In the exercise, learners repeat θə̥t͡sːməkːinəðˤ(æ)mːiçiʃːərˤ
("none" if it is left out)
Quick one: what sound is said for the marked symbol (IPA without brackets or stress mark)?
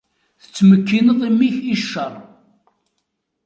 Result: i